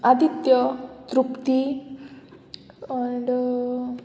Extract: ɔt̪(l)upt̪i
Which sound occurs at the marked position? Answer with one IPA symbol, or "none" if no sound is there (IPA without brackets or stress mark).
ɾ